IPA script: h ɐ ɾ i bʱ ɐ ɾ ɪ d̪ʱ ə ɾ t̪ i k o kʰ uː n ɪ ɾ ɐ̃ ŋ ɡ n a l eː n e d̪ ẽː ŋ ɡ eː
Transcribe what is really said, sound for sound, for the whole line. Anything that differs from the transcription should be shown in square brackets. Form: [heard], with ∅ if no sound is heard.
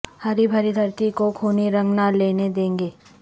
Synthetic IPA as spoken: h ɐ ɾ i bʱ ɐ ɾ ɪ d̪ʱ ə ɾ t̪ i k o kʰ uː n [i] ɾ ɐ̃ ŋ ɡ n a l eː n e d̪ ẽː ŋ ɡ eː